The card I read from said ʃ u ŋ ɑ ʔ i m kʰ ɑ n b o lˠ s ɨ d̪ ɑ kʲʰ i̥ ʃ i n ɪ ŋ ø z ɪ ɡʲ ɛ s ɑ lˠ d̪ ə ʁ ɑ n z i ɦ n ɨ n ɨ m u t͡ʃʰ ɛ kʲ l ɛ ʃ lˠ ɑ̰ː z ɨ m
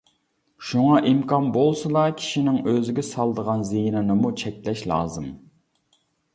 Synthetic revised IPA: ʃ u ŋ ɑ ʔ i m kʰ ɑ n b o lˠ s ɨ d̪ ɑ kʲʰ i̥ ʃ i n ɪ ŋ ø z ɪ ɡʲ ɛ s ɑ lˠ d̪ ə ʁ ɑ n z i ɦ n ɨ n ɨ m u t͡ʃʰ ɛ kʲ l ɛ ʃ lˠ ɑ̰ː z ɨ m